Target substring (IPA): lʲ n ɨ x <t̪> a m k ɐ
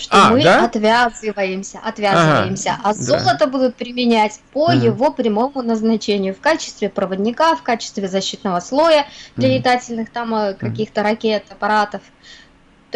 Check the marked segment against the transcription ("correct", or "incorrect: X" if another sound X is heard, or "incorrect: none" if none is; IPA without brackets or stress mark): correct